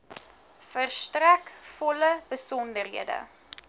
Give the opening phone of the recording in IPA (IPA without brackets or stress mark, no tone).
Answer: f